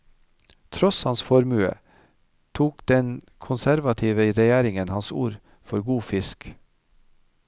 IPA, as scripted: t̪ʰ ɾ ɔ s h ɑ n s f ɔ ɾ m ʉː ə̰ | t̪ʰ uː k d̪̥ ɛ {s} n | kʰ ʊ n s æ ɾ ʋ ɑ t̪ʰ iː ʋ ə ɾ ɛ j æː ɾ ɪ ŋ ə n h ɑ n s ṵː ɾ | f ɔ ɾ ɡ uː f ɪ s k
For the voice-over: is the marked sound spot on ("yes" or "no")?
no